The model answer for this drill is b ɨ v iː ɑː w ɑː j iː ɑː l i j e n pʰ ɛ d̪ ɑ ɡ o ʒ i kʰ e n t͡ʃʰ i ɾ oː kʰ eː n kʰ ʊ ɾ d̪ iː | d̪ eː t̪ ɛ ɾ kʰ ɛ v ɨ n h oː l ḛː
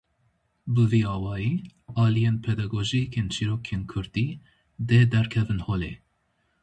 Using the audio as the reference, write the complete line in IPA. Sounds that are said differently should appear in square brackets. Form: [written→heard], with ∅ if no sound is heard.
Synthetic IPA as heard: b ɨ v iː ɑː w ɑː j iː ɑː l i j e n pʰ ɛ d̪ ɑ ɡ o ʒ i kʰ e n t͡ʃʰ i ɾ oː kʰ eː n kʰ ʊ ɾ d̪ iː | d̪ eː [t̪→d̪] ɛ ɾ kʰ ɛ v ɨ n h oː l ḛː